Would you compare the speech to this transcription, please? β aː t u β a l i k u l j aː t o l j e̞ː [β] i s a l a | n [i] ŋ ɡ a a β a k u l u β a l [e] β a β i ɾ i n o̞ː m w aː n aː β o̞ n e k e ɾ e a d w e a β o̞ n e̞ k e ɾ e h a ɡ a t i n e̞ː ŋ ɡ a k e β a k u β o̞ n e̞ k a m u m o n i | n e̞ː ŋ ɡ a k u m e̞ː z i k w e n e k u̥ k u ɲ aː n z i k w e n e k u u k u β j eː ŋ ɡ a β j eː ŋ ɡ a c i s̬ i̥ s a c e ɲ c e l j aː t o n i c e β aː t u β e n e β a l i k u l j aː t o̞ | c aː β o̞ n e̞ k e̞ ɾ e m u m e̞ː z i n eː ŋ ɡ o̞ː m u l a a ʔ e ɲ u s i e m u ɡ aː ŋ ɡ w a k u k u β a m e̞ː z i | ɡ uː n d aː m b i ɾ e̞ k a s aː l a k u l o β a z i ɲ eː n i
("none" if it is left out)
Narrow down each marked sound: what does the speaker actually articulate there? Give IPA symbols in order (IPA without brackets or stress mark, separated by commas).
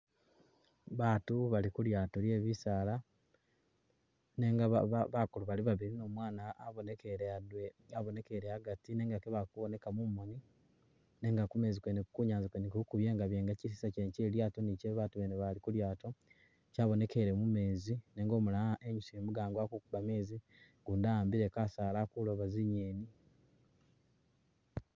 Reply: β, e, i